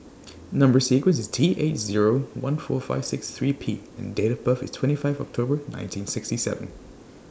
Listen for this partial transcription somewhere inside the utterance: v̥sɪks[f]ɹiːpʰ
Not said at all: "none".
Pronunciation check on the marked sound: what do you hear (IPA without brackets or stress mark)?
θ